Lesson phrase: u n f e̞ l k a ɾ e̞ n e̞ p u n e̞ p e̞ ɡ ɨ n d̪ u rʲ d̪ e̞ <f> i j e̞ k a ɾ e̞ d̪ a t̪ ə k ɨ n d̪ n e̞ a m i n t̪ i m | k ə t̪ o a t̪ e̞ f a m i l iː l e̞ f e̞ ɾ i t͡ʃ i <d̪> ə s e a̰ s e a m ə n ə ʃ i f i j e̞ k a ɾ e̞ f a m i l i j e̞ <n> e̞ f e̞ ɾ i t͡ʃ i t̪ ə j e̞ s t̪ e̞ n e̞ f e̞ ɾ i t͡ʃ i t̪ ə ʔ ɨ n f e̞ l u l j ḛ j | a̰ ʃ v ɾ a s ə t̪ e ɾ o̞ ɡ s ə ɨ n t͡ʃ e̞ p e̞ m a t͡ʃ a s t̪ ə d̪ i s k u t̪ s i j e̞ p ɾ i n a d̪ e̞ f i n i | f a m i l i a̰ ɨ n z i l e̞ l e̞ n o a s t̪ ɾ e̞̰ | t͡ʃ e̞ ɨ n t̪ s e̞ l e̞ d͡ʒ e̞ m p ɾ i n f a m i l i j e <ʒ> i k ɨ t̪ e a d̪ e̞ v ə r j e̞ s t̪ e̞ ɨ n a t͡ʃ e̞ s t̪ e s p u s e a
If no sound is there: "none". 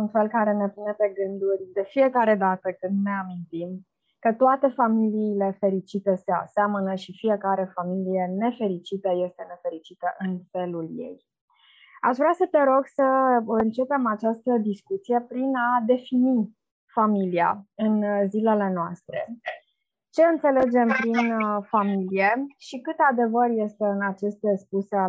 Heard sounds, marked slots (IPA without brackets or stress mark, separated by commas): f, t̪, n, ʃ